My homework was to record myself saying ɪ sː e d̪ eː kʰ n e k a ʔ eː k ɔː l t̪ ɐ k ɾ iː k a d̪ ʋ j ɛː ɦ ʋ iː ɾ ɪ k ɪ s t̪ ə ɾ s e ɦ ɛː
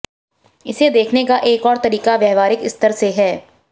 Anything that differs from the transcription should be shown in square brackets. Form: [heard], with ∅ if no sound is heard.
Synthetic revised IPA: ɪ [s] e d̪ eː kʰ n e k a ʔ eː k ɔː [ɾ] t̪ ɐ [∅] ɾ iː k a [∅] ʋ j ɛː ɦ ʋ [aː] ɾ ɪ k ɪ s t̪ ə ɾ s e ɦ ɛː